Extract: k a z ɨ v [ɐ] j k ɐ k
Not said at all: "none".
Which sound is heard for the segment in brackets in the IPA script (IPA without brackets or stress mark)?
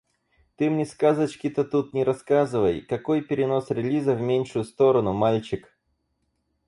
ə